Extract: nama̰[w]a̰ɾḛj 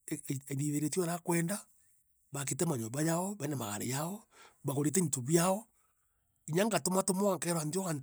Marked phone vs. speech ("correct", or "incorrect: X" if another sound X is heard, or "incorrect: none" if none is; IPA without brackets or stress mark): incorrect: ɣ